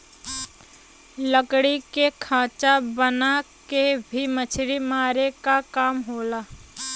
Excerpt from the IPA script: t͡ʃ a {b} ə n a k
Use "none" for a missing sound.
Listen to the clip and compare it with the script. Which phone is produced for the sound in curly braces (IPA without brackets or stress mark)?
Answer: b